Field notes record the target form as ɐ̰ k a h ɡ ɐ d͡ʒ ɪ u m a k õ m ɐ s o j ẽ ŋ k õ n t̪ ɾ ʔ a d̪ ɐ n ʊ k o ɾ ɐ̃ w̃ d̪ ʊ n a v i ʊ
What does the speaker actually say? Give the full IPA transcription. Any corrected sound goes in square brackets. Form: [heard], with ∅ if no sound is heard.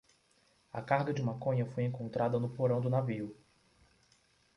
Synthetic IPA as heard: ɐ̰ k a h ɡ ɐ d͡ʒ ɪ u m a k õ [ɲ] ɐ [f] o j ẽ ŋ k õ n t̪ ɾ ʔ a d̪ ɐ n ʊ [p] o ɾ ɐ̃ w̃ d̪ ʊ n a v i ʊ